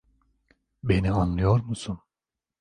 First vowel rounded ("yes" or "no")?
no